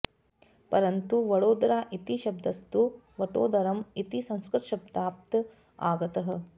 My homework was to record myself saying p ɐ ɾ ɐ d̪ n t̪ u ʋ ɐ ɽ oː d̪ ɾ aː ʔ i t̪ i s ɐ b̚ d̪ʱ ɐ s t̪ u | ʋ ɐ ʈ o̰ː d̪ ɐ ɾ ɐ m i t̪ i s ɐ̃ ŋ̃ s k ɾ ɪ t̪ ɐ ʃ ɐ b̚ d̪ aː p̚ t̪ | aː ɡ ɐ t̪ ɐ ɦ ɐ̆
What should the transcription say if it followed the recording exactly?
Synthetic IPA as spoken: p ɐ ɾ ɐ n t̪ u ʋ ɐ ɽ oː d̪ ɾ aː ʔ i t̪ i ʃ ɐ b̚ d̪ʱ ɐ s t̪ u | ʋ ɐ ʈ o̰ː d̪ ɐ ɾ ɐ m i t̪ i s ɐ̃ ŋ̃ s k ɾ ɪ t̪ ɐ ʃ ɐ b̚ d̪ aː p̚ t̪ | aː ɡ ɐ t̪ ɐ ɦ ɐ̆